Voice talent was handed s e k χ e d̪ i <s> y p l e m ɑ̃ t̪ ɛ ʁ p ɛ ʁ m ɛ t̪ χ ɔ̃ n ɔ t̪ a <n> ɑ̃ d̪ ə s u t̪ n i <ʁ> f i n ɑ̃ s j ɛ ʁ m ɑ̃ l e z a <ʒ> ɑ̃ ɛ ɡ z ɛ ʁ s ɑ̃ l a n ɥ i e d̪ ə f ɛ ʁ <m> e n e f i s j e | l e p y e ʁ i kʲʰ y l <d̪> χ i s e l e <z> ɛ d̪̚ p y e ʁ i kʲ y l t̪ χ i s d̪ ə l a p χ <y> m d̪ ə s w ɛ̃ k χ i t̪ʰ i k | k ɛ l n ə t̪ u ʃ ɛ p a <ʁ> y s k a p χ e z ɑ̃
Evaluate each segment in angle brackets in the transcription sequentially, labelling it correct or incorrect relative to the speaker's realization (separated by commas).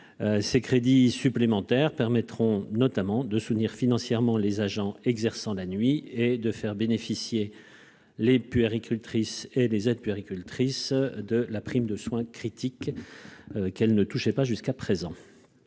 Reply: correct, incorrect, correct, correct, incorrect, incorrect, correct, incorrect, incorrect